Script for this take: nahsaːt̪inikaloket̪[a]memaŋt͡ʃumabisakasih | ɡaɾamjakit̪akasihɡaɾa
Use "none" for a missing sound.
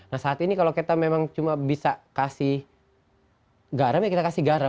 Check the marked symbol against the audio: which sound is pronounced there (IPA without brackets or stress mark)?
a